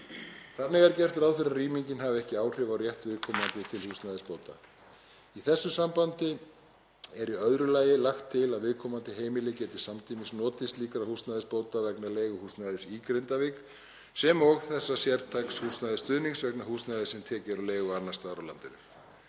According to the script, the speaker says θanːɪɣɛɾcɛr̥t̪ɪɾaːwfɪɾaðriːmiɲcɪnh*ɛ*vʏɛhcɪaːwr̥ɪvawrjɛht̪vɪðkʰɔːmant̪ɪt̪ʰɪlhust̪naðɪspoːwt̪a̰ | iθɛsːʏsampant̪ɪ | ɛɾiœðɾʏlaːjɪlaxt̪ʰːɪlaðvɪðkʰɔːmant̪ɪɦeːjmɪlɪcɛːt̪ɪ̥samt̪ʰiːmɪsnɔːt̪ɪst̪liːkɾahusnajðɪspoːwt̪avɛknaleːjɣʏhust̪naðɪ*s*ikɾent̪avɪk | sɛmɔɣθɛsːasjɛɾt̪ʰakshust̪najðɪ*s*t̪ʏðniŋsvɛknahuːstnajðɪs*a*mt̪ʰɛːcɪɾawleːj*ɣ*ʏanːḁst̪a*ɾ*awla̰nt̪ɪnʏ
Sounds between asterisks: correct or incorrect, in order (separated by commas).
incorrect, correct, correct, incorrect, correct, correct